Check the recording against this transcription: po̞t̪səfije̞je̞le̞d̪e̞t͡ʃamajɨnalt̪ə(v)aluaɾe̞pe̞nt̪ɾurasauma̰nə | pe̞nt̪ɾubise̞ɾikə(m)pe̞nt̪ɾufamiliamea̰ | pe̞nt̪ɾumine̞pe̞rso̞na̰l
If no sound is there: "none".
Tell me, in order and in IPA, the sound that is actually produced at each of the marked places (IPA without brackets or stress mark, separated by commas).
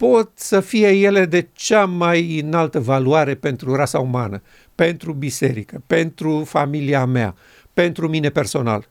v, none